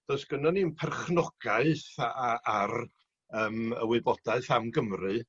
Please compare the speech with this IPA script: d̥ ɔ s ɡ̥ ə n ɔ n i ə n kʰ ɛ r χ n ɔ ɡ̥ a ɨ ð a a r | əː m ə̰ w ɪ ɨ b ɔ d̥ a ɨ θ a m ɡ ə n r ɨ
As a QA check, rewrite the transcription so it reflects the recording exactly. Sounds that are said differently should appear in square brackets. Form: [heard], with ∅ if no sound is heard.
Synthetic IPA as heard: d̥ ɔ s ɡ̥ ə n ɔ n i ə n [pʰ] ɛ r χ n ɔ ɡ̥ a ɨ [θ] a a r | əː m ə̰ w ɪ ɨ b ɔ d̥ a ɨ θ a m ɡ ə [m] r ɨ